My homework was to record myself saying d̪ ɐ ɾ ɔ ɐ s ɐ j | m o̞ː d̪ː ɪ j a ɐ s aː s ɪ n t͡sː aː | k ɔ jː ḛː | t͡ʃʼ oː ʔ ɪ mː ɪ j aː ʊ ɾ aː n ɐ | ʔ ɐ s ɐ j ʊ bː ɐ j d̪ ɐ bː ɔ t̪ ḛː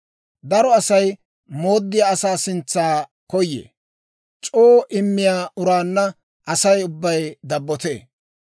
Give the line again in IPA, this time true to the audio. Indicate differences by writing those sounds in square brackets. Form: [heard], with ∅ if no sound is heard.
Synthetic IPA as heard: d̪ ɐ ɾ ɔ ɐ s ɐ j | m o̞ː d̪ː ɪ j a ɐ s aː s ɪ n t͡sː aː | k ɔ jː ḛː | t͡ʃʼ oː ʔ ɪ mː ɪ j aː ʊ ɾ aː [nː] ɐ | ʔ ɐ s ɐ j ʊ bː ɐ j d̪ ɐ bː ɔ t̪ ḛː